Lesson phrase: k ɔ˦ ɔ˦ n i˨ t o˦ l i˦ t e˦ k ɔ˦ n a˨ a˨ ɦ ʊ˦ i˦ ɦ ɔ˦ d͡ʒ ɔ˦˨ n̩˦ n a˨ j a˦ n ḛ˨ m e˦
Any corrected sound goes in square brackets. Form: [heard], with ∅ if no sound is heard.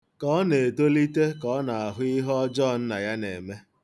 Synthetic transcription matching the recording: k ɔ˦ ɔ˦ n [e˨] t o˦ l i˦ t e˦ k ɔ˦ n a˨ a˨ ɦ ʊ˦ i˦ ɦ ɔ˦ d͡ʒ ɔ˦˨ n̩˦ n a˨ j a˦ n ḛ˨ m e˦